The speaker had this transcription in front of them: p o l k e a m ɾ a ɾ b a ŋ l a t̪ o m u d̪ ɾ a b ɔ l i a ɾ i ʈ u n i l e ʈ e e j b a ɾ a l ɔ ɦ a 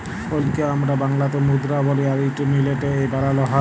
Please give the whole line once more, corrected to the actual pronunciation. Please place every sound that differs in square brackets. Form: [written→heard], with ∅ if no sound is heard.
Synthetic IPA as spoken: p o l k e a m ɾ a [ɾ→∅] b a ŋ l a t̪ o m u d̪ ɾ a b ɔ l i a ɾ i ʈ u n i l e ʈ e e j b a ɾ a l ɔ ɦ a